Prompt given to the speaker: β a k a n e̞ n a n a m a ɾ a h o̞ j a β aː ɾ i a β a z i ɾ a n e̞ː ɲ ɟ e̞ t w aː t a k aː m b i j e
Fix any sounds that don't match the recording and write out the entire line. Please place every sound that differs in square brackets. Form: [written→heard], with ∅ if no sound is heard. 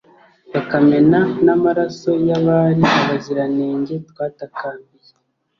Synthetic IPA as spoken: β a k a [n→m] e̞ n a n a m a ɾ a [h→s] o̞ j a β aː ɾ i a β a z i ɾ a n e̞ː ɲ ɟ e̞ t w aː t a k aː m b i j e